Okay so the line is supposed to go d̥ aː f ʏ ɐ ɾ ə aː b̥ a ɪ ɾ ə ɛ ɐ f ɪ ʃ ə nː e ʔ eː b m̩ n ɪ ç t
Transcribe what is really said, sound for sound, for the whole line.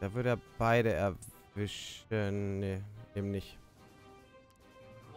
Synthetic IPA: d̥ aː v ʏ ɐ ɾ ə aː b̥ a ɪ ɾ ə ɛ ɐ v ɪ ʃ ə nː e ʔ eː b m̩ n ɪ ç t